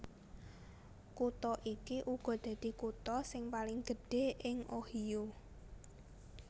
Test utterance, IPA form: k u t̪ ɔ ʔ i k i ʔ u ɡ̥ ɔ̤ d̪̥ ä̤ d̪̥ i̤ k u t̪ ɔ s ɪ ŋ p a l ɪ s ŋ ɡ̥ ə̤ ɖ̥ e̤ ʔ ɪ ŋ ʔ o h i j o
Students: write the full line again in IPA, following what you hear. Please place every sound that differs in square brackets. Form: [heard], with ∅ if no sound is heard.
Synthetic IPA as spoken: k u t̪ ɔ ʔ i k i ʔ u ɡ̥ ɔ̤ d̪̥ ä̤ d̪̥ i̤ k u t̪ ɔ s ɪ ŋ p a l ɪ [∅] ŋ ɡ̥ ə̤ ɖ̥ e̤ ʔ ɪ ŋ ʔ o h i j o

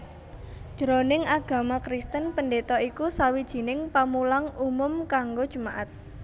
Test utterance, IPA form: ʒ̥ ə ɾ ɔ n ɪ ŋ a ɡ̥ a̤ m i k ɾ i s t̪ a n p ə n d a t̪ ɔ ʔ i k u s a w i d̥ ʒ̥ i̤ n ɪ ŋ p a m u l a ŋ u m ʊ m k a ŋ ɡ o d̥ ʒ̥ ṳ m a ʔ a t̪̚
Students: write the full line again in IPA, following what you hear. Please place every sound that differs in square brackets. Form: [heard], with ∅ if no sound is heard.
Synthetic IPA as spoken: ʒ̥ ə ɾ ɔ n ɪ ŋ a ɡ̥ a̤ m [a] k ɾ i s t̪ [ə] n p ə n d [e] t̪ ɔ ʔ i k u s a w i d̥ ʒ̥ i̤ n ɪ ŋ p a m u l a ŋ u m ʊ m k a ŋ ɡ o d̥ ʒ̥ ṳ m a ʔ a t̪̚

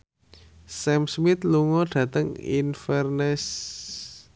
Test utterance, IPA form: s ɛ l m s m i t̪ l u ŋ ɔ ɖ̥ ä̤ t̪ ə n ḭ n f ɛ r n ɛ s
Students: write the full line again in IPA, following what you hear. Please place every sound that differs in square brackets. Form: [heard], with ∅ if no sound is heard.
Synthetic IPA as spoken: s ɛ [∅] m s m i t̪ l u ŋ ɔ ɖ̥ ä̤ t̪ ə [ŋ] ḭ n f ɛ r n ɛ s

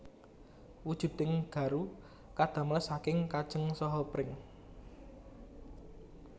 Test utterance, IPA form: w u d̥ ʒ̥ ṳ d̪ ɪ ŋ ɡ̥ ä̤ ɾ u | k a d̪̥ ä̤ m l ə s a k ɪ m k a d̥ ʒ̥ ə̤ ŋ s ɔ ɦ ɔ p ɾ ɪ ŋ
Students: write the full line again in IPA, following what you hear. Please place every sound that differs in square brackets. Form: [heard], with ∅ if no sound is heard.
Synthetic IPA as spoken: w u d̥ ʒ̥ ṳ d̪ ɪ ŋ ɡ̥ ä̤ ɾ u | k a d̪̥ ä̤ m l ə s a k ɪ [ŋ] k a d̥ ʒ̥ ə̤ ŋ s ɔ ɦ ɔ p ɾ ɪ ŋ

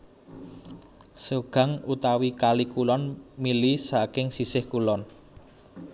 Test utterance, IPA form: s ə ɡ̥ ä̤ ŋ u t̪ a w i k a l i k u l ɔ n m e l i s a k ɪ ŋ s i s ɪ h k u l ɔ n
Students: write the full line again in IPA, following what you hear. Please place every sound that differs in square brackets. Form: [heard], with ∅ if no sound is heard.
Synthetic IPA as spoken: s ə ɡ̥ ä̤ ŋ u t̪ a w i k a l i k u l ɔ n m [i] l i s a k ɪ ŋ s i s ɪ h k u l ɔ n

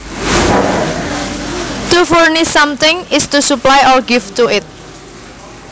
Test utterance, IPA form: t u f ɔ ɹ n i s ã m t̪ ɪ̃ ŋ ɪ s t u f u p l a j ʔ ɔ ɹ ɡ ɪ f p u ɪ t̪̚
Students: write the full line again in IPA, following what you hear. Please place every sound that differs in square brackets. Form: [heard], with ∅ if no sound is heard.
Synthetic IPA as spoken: t u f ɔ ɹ n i s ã m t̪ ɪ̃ ŋ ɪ s t u [s] u p l a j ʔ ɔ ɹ ɡ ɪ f [t] u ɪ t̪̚

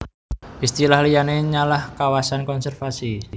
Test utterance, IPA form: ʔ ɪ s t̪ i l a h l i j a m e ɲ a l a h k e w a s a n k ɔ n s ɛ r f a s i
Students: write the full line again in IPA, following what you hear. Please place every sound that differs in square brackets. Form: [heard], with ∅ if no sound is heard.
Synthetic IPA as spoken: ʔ [i] s t̪ i l a h l i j a [n] e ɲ a l a h k [a] w a s a n k ɔ n s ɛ r f a s i

